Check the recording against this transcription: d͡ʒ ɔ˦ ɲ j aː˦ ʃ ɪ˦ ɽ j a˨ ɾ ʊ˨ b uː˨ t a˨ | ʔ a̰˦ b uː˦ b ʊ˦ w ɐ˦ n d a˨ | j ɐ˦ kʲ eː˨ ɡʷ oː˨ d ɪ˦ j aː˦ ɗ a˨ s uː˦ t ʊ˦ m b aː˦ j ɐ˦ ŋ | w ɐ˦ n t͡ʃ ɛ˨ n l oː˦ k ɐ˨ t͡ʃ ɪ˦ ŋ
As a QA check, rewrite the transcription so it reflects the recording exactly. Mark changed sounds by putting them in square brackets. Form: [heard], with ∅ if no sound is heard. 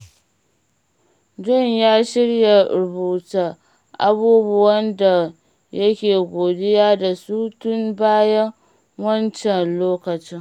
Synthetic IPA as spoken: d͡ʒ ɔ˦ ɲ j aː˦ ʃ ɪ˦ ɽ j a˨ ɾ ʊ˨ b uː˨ t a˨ | ʔ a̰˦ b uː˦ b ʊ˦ w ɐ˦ n d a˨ | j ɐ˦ kʲ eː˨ ɡʷ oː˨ d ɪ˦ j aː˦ [d] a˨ s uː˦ t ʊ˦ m b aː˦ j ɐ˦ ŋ | w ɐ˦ n t͡ʃ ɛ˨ n l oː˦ k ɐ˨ t͡ʃ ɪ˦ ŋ